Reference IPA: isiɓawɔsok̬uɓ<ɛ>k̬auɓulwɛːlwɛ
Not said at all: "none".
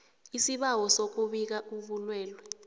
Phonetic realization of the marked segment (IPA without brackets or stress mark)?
i